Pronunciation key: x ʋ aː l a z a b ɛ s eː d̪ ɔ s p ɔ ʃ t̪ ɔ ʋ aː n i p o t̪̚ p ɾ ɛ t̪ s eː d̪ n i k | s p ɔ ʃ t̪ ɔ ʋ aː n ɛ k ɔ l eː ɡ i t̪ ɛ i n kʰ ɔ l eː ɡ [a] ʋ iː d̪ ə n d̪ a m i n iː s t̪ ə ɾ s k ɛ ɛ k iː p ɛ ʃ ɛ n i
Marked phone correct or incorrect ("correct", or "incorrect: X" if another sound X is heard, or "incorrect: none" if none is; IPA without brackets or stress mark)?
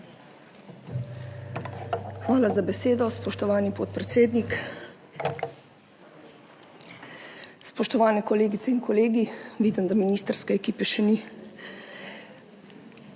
incorrect: i